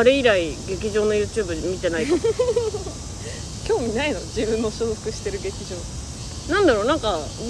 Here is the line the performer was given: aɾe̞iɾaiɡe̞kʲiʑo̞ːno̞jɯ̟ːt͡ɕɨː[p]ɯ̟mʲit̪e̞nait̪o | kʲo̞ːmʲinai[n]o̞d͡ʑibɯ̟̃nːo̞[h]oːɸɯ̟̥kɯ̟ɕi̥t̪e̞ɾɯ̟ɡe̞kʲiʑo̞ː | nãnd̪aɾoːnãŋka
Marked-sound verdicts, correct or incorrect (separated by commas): incorrect, correct, incorrect